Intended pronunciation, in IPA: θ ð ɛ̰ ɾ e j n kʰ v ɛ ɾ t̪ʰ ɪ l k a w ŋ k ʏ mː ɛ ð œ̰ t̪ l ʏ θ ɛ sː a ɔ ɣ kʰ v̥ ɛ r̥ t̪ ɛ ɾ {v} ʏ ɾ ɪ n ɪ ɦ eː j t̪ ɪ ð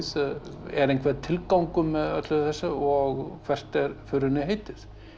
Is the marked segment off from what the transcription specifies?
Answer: yes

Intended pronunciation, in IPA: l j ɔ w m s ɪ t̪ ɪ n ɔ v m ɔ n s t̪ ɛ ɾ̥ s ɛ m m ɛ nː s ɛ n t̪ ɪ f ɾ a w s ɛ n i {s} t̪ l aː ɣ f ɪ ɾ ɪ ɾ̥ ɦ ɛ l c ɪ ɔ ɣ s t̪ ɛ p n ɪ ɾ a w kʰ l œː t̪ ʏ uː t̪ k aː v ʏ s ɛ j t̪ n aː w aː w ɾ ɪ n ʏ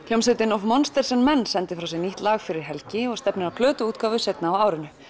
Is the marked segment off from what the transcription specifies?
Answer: yes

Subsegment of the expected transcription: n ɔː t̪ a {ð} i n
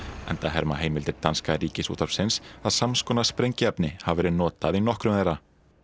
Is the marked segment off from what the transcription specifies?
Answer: no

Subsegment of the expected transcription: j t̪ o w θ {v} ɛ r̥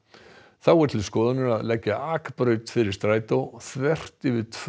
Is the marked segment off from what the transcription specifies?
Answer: no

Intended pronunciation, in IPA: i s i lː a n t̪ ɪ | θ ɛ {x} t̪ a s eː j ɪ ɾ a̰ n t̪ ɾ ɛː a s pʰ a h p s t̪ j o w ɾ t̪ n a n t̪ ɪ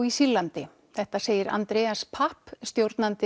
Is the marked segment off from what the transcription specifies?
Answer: yes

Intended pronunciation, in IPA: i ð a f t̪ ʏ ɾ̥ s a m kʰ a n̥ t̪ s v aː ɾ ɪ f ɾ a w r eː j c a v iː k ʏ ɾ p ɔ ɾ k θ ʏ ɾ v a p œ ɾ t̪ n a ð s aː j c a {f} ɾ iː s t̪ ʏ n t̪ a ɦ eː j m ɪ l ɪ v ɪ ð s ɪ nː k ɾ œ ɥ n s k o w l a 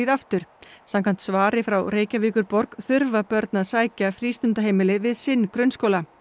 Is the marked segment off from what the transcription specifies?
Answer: no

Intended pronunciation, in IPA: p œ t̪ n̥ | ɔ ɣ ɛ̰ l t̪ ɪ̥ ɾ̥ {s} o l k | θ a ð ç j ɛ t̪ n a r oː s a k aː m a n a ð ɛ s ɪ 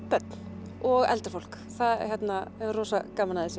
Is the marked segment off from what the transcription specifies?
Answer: yes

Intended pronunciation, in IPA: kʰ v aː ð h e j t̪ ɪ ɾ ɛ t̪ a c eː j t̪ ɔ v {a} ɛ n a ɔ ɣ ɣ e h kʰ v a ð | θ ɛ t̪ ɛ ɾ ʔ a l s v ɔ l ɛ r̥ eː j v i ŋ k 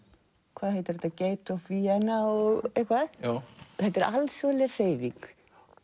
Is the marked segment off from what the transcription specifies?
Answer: yes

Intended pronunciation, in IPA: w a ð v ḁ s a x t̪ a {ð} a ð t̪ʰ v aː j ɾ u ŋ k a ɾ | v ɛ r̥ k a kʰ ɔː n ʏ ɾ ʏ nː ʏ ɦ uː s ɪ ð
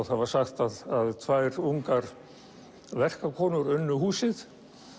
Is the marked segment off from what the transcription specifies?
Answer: no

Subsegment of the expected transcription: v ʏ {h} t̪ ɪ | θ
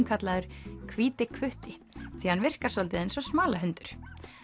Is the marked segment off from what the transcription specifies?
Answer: no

